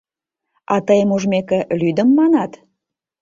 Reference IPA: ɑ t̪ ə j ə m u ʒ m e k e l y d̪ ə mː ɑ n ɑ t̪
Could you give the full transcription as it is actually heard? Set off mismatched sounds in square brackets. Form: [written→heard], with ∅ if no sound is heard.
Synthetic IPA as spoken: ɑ t̪ ə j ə m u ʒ m e k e l y d̪ ə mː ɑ n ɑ t̪